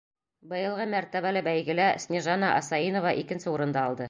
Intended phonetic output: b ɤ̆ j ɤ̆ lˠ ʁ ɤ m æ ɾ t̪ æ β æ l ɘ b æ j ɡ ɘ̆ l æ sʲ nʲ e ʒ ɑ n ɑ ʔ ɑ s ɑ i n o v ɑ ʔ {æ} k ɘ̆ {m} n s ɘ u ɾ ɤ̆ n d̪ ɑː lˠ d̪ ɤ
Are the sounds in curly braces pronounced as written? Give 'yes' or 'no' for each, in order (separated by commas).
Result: no, no